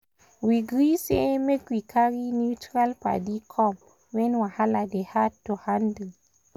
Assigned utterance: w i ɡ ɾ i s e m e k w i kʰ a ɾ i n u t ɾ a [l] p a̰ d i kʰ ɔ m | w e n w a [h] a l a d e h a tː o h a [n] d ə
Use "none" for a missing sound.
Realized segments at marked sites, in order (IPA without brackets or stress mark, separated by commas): l, h, n